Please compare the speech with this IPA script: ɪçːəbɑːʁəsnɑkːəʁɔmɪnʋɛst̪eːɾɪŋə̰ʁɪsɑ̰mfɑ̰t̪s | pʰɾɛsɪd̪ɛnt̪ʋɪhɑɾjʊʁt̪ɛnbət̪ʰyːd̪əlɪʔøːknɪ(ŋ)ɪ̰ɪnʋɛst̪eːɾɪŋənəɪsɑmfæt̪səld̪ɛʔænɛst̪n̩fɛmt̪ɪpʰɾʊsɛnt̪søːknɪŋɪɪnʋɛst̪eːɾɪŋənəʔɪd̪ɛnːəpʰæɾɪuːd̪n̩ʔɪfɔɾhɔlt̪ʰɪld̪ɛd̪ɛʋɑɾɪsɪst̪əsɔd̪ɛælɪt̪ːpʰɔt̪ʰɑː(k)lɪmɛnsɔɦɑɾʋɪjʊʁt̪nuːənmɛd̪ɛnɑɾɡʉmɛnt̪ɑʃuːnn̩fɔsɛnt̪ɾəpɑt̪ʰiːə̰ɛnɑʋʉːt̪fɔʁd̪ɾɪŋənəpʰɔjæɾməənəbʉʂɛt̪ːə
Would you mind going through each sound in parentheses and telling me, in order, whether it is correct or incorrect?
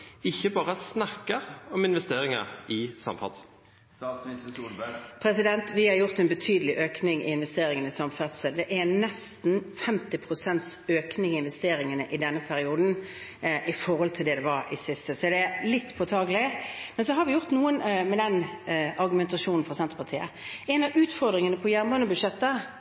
correct, incorrect

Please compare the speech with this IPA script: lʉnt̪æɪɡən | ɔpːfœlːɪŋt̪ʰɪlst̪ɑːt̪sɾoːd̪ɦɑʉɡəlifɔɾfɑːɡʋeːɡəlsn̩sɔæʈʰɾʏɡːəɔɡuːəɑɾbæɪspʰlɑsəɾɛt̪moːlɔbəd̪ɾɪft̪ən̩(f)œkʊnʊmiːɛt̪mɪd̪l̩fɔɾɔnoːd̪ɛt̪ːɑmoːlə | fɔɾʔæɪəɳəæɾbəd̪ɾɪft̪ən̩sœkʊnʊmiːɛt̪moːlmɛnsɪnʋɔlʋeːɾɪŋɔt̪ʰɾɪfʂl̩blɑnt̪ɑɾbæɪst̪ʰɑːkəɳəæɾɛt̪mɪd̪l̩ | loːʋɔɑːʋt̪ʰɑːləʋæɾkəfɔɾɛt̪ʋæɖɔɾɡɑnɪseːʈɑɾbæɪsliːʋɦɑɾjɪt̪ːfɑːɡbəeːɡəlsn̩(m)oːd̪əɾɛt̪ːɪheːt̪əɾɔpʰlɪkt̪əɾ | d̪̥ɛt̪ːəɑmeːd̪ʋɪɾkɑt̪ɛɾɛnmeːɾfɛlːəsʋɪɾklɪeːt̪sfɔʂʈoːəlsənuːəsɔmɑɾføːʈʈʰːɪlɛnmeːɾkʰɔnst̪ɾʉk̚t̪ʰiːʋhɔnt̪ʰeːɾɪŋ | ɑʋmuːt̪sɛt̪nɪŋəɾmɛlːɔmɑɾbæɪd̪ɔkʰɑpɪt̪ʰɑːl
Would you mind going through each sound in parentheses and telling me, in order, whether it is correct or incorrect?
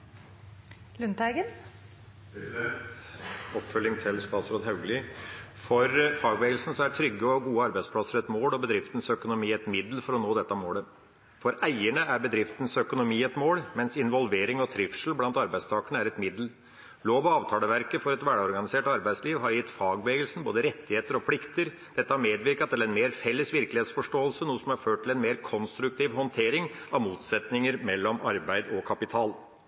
incorrect, incorrect

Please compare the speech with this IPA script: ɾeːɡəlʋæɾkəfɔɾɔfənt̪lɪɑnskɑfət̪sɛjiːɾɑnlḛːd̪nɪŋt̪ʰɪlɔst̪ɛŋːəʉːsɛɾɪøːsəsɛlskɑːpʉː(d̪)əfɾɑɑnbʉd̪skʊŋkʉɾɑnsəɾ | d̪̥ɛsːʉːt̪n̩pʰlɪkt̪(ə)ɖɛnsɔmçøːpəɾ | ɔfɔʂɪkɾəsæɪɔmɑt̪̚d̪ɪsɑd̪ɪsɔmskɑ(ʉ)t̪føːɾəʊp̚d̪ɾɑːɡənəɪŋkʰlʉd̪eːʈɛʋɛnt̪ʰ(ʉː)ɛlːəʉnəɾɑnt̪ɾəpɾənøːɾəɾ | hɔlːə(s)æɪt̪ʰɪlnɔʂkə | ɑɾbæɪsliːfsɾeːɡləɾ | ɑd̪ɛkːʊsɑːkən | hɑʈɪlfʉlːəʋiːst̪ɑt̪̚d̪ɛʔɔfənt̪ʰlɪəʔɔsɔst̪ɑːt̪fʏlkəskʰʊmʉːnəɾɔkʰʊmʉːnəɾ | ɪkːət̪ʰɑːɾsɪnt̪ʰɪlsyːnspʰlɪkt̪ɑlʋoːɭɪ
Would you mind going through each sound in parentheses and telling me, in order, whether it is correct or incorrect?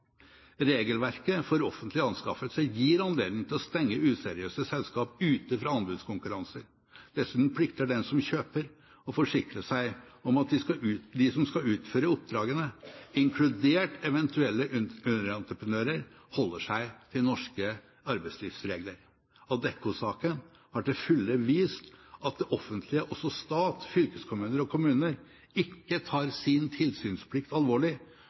incorrect, correct, incorrect, incorrect, incorrect

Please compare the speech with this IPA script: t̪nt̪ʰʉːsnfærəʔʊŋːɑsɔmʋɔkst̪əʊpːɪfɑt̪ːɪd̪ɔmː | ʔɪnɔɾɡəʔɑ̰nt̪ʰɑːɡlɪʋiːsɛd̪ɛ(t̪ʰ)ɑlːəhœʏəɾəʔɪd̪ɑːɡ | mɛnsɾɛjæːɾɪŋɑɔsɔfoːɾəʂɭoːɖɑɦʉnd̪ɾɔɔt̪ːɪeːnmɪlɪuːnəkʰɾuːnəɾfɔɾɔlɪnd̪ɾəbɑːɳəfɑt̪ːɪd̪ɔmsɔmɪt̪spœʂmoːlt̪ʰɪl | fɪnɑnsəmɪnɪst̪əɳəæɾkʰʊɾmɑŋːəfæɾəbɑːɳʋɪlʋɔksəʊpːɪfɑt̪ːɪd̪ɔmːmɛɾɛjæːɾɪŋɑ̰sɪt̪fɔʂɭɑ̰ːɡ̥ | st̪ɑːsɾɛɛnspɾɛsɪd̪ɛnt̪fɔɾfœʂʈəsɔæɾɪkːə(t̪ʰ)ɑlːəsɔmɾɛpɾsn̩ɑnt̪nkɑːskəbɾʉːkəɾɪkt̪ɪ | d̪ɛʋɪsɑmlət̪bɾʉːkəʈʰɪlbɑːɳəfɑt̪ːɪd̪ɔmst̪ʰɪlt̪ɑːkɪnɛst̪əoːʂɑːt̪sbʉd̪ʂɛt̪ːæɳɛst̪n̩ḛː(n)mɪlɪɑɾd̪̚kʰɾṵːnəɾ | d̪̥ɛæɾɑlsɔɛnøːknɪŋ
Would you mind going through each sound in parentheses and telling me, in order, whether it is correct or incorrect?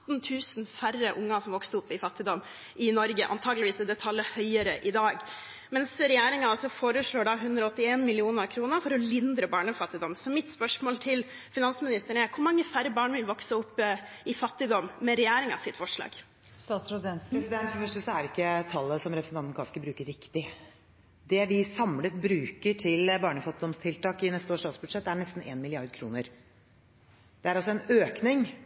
correct, correct, correct

